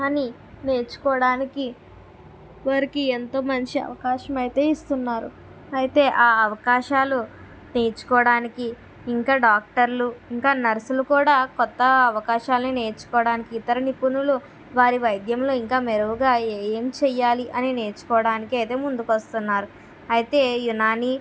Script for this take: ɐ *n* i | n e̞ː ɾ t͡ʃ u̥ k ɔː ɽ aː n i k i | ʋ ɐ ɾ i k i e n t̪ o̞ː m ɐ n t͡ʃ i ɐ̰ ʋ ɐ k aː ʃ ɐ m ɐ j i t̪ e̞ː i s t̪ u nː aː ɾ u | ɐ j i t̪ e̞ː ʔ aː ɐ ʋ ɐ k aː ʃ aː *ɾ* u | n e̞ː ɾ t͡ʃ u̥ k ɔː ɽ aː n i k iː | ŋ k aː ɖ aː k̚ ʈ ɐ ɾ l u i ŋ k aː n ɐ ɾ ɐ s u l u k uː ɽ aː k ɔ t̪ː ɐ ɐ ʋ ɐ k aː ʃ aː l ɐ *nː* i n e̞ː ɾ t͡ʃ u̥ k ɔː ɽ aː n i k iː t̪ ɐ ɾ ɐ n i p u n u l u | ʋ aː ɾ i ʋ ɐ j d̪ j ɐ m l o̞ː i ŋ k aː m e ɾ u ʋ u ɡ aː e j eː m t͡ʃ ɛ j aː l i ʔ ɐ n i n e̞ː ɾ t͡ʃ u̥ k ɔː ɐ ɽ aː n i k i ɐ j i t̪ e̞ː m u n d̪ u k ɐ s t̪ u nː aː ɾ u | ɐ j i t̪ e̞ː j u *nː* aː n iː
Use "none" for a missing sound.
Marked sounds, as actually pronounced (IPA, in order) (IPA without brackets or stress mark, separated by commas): n, l, n, n